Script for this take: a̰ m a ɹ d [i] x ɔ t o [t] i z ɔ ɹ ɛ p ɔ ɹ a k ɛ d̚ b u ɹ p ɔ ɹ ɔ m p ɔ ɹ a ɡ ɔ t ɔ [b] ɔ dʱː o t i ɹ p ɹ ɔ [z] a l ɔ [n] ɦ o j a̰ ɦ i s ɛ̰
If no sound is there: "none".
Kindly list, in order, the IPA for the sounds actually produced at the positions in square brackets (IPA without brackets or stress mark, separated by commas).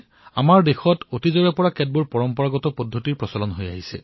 e, t, p, s, n